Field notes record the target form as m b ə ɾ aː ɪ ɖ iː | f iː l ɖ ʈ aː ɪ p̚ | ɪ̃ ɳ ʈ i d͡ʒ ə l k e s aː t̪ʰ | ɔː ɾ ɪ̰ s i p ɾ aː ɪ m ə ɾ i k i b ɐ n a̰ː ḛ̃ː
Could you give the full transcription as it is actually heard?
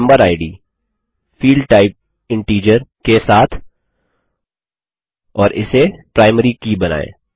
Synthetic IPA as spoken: m b ə ɾ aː ɪ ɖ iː | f iː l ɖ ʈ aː ɪ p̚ | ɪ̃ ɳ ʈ iː d͡ʒ ə ɾ k e s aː t̪ʰ | ɔː ɾ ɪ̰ s e p ɾ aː ɪ m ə ɾ i k i b ɐ n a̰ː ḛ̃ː